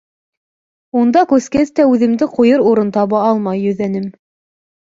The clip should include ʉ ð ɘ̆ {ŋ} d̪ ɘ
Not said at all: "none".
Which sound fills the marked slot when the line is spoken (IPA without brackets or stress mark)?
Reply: m